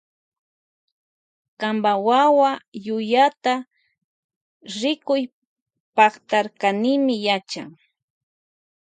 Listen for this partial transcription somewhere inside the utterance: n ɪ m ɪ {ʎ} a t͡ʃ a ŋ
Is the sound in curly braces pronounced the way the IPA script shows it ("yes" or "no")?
no